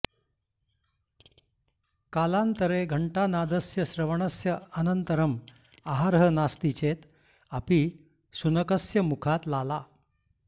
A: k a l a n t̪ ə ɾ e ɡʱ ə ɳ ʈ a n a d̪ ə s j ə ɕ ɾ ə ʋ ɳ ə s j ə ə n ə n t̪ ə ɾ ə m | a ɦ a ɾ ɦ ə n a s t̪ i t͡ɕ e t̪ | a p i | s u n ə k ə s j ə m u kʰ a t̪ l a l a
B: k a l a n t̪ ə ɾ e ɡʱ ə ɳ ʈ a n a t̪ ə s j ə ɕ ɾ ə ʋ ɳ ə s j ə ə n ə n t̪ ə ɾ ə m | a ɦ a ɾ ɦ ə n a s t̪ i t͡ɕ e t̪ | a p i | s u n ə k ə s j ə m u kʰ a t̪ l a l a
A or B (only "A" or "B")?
A